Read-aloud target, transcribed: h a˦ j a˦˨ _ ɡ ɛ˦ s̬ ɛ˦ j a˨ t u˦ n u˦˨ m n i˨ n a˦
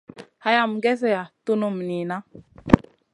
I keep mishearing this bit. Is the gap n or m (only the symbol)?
m